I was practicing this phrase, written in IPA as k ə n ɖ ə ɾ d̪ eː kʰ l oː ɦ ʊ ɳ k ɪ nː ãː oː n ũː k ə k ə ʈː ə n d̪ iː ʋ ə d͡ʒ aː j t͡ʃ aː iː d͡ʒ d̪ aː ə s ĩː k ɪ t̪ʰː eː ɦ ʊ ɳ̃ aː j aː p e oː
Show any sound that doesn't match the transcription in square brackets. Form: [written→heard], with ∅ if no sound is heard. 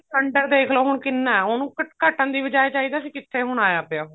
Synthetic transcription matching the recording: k ə [n→ɳ] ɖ ə ɾ d̪ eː kʰ l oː ɦ ʊ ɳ k ɪ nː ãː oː n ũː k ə k ə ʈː ə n d̪ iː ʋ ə d͡ʒ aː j t͡ʃ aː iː [d͡ʒ→∅] d̪ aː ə s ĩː k ɪ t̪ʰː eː ɦ ʊ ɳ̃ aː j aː p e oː